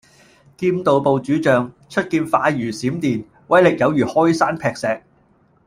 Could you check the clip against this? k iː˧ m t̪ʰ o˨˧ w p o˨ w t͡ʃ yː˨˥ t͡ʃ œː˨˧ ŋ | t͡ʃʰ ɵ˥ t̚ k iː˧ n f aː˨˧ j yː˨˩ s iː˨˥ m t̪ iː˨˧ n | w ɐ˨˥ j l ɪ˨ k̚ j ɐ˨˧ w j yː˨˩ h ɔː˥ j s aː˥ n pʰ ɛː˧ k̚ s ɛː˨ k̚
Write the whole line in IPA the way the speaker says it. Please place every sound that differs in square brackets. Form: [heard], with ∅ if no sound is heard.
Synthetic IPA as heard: k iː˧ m [t̪] o˨˧ w p o˨ w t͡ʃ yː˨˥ t͡ʃ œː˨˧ ŋ | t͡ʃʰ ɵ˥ t̚ k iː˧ n f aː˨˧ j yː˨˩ s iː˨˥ m t̪ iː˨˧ n | w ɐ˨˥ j l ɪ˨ k̚ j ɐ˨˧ w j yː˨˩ h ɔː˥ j s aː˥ n pʰ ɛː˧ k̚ s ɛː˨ k̚